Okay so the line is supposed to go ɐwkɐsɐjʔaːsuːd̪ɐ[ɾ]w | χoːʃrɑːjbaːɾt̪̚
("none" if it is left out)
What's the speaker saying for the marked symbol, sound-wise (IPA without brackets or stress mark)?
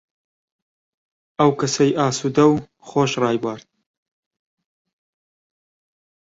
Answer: none